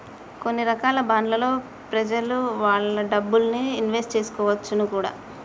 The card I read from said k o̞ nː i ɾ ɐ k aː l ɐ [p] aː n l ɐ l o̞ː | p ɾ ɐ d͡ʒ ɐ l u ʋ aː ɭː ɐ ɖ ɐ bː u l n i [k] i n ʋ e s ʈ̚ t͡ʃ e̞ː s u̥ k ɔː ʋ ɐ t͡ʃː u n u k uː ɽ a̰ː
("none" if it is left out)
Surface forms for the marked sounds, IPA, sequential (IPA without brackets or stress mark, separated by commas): b, none